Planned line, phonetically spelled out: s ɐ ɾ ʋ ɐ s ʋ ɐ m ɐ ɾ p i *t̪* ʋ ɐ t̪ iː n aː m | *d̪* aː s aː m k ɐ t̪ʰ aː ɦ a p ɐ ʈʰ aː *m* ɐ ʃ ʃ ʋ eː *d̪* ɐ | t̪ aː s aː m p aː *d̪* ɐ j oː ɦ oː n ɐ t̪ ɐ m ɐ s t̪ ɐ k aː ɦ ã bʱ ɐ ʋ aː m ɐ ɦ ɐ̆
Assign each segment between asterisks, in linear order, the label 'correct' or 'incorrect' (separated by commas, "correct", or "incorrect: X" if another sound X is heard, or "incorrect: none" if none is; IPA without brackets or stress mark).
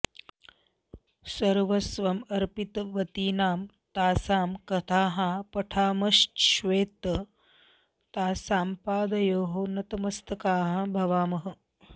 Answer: correct, incorrect: t̪, correct, incorrect: t̪, correct